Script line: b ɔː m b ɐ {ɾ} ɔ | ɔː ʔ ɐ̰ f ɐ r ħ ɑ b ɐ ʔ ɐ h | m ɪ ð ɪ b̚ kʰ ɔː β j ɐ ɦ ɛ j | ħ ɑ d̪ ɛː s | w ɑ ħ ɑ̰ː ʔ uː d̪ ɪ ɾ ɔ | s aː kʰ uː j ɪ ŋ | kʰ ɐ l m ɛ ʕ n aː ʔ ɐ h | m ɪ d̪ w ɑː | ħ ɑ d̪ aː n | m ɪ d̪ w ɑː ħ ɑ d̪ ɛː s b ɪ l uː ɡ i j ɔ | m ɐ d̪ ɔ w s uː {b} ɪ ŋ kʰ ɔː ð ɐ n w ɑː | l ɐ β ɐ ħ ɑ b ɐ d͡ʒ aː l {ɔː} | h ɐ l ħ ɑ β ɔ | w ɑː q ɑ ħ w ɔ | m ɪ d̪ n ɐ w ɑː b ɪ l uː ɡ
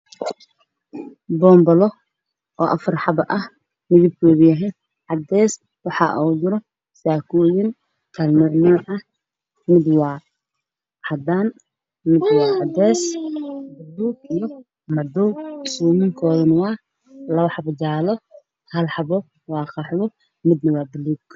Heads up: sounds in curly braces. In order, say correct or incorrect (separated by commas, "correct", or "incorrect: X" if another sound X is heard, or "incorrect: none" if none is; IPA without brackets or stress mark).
incorrect: l, incorrect: m, incorrect: ɔ